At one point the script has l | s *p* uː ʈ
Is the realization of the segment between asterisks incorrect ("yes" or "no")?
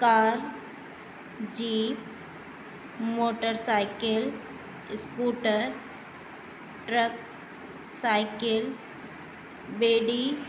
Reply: yes